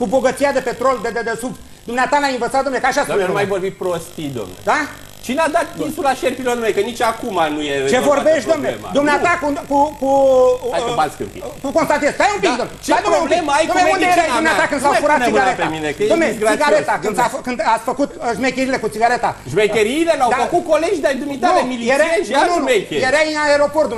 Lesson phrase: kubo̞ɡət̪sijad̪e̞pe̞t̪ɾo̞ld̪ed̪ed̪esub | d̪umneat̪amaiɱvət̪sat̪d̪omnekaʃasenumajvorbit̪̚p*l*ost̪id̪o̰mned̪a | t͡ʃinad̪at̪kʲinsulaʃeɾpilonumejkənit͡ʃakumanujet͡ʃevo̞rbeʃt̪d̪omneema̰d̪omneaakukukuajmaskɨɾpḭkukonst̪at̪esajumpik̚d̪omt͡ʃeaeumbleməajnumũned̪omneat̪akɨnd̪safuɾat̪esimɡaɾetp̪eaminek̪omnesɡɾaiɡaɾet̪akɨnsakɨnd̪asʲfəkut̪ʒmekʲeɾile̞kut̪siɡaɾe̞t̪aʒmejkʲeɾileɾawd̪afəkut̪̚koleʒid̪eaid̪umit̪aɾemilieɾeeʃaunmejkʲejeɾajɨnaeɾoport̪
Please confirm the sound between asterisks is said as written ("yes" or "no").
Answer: no